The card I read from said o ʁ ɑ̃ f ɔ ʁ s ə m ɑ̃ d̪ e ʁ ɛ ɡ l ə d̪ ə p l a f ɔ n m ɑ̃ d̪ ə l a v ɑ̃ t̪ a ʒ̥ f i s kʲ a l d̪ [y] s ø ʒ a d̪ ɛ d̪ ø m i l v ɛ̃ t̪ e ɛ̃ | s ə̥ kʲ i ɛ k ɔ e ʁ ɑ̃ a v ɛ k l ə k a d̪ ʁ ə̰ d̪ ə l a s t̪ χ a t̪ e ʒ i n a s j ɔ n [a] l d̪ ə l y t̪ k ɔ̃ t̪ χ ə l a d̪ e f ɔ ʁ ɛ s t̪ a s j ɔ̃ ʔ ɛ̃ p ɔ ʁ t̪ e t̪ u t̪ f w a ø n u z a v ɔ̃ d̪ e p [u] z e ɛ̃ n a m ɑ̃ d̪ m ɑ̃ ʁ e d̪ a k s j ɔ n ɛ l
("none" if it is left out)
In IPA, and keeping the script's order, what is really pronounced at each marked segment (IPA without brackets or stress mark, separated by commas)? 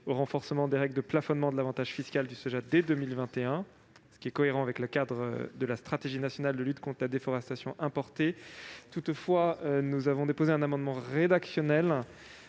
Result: y, a, o